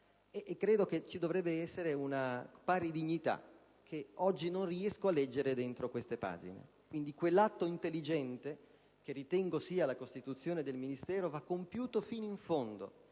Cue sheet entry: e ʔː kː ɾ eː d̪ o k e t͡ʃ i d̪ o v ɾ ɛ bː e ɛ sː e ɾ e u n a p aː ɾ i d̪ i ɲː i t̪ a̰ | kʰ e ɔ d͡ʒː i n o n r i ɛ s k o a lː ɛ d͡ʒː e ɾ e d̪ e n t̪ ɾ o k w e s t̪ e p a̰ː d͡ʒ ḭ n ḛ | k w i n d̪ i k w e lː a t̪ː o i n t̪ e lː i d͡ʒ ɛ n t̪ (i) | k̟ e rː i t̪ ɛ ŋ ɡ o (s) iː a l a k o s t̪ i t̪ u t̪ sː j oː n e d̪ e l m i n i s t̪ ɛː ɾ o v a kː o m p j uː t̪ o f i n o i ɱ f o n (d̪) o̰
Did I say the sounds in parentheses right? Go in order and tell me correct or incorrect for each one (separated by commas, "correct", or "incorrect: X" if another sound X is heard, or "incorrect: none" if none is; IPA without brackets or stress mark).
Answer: incorrect: e, correct, correct